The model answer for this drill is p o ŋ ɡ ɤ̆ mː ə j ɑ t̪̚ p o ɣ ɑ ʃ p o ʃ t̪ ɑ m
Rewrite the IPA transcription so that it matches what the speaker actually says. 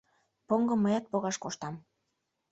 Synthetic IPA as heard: p o ŋ ɡ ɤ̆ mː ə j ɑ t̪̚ p o ɣ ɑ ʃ k o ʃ t̪ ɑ m